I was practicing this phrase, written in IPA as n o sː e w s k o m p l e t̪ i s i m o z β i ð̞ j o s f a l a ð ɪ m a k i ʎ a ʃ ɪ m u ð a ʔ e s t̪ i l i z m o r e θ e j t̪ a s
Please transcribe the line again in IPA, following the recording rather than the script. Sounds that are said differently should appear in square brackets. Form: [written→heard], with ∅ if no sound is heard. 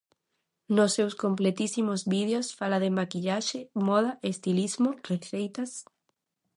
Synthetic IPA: n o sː e w s k o m p l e t̪ i s i m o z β i ð̞ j o s f a l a ð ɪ m a k i ʎ a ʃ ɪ m [u→ɔ] ð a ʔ e s t̪ i l i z m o r e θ e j t̪ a s